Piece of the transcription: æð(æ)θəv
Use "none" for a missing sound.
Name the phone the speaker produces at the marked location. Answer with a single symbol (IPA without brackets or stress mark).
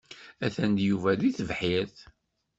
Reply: i